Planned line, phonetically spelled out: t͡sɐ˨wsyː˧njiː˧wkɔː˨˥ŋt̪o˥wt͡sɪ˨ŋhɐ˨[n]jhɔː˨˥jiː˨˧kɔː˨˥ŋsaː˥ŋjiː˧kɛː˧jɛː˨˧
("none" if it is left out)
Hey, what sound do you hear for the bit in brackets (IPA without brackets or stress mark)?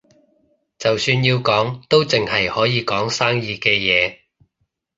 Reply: none